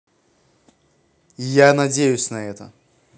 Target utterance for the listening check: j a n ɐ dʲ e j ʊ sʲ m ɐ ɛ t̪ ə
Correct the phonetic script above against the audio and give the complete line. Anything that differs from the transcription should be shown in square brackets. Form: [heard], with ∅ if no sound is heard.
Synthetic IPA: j a n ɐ dʲ e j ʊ sʲ [n] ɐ ɛ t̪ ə